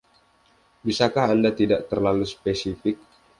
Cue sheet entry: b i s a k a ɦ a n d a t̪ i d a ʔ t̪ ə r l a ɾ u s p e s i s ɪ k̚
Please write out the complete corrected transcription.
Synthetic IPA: b i s a k a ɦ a n d a t̪ i d a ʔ t̪ ə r l a l u s p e s i f ɪ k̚